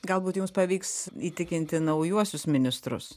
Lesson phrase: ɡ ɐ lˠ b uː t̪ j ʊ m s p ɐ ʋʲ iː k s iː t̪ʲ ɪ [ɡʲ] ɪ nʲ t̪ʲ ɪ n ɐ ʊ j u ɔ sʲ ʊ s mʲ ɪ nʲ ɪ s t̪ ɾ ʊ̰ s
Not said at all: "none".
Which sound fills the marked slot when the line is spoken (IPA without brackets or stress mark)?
kʲ